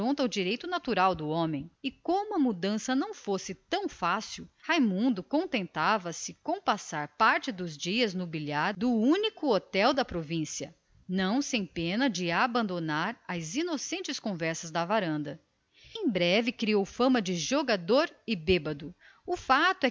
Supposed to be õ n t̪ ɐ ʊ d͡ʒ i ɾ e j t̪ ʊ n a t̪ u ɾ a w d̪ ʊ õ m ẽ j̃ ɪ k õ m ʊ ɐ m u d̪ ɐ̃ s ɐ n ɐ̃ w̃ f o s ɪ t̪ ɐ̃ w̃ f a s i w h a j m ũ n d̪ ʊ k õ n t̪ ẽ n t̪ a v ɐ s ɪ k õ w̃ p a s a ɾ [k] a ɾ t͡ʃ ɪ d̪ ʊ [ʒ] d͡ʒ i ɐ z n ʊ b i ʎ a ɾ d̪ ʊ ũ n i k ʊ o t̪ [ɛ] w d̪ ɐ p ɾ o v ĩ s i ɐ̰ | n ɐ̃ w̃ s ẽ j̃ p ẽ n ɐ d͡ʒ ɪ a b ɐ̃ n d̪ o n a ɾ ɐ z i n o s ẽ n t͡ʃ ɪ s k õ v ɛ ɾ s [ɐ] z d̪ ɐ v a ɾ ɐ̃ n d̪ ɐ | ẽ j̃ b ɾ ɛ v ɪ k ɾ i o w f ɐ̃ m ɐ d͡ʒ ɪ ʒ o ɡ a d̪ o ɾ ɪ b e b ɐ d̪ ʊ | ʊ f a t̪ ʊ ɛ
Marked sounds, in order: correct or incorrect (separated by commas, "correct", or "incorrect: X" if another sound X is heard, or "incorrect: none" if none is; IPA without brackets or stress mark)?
incorrect: p, incorrect: z, correct, correct